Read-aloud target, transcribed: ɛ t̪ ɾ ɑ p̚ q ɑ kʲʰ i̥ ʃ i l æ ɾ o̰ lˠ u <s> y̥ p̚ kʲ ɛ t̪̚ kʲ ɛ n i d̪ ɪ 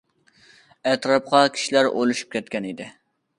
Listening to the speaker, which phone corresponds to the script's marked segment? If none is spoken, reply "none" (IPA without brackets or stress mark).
ʃ